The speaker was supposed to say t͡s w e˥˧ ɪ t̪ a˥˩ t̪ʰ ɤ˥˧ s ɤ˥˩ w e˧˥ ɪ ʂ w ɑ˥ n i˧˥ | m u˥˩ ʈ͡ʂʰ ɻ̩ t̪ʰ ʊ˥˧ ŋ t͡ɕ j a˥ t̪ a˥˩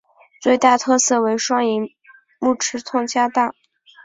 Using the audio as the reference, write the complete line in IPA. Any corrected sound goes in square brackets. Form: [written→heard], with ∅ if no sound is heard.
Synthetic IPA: t͡s w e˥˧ ɪ t̪ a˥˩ t̪ʰ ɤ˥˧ s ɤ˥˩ w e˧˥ ɪ ʂ w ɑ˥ [n→ŋ] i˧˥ | m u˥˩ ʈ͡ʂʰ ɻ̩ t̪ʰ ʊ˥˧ ŋ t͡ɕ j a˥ t̪ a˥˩

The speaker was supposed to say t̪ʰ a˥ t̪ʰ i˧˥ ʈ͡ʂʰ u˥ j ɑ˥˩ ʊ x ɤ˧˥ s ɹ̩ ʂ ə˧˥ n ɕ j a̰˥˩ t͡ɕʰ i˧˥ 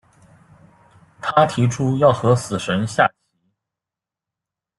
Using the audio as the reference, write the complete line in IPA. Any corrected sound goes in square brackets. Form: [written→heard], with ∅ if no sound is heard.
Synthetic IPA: t̪ʰ a˥ t̪ʰ i˧˥ ʈ͡ʂʰ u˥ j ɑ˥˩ ʊ x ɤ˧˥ s ɹ̩ ʂ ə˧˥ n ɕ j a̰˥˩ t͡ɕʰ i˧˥

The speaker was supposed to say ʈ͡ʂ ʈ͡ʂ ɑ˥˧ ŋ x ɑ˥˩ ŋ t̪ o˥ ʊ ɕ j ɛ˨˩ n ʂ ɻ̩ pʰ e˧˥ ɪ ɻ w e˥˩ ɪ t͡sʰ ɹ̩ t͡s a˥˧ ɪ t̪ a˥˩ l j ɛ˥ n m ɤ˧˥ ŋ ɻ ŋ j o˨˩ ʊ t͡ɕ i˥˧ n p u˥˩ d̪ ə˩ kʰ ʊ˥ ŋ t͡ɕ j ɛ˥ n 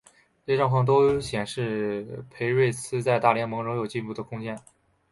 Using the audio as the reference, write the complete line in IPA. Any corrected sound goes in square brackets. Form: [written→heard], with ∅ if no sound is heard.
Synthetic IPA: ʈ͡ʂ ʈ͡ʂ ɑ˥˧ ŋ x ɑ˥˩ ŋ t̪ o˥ ʊ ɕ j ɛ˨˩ n ʂ ɻ̩ pʰ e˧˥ ɪ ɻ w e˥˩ ɪ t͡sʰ ɹ̩ t͡s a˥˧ ɪ t̪ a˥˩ l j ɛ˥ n m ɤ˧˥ ŋ ɻ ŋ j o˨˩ ʊ t͡ɕ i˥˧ n p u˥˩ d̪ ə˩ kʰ ʊ˥ ŋ t͡ɕ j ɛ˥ n

